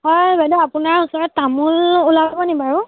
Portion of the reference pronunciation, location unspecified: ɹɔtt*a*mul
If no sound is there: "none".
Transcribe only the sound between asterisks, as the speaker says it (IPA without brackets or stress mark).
a